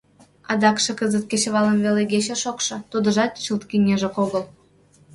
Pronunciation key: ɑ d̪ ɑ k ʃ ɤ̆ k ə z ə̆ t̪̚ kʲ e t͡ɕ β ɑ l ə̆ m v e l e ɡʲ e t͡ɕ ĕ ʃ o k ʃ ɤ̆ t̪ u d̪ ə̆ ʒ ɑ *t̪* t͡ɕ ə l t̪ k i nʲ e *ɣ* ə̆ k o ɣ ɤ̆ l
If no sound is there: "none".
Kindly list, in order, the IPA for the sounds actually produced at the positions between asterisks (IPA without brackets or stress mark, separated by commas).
t̪, ʒ